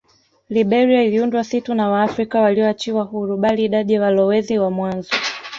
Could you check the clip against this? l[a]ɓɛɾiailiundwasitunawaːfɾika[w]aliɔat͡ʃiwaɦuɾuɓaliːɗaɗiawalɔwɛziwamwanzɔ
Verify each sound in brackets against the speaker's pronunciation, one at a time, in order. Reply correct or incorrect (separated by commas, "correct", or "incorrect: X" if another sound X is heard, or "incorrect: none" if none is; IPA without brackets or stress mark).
incorrect: i, correct